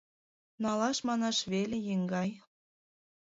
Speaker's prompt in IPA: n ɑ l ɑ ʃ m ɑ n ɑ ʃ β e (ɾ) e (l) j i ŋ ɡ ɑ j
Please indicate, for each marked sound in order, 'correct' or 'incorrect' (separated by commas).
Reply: incorrect, incorrect